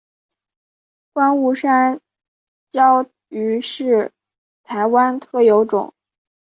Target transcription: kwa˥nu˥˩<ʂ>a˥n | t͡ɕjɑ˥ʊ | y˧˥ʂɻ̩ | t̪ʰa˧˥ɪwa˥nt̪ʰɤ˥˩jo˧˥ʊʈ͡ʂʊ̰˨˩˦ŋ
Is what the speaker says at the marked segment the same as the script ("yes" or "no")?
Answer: yes